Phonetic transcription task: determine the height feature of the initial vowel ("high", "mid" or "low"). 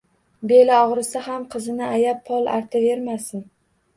mid